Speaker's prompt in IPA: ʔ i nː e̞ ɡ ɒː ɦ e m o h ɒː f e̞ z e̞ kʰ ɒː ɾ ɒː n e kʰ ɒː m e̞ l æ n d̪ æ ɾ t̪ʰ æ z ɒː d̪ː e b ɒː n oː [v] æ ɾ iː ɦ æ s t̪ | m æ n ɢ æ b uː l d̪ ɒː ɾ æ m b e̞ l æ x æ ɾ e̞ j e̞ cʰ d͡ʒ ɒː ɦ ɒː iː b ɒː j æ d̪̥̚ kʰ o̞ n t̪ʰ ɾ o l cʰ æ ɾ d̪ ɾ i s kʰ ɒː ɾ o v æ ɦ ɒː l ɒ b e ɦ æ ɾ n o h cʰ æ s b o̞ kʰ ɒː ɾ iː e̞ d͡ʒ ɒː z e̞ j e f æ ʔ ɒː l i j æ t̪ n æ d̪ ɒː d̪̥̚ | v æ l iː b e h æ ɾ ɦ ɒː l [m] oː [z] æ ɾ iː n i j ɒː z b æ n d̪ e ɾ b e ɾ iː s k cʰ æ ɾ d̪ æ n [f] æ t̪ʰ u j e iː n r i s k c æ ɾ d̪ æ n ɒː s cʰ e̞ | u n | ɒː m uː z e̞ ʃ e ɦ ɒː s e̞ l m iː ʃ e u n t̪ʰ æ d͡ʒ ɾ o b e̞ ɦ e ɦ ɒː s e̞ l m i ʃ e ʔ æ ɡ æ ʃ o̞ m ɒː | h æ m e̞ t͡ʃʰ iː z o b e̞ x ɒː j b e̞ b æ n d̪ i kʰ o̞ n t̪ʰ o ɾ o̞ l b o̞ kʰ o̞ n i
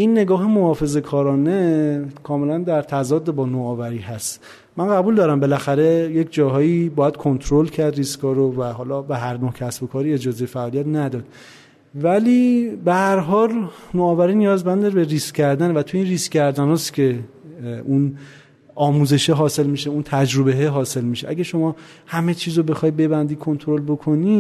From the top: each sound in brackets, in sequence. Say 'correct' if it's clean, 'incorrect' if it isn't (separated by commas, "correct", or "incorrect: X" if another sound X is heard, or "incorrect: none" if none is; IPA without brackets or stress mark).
correct, incorrect: n, incorrect: v, incorrect: v